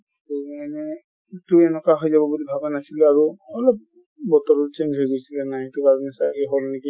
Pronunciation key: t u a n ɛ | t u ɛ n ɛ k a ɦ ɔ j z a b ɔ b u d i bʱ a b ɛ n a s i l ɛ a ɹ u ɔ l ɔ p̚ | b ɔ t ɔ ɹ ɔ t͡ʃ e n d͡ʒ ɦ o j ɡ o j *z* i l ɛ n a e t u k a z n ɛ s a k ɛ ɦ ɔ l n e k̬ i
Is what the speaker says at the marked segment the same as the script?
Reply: no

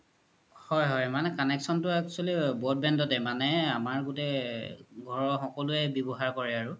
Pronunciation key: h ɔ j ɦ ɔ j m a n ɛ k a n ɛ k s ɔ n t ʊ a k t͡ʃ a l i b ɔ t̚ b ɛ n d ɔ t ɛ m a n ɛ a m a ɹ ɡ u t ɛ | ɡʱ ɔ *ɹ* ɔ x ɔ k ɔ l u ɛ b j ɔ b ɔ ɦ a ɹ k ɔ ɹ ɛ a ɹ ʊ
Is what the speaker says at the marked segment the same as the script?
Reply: yes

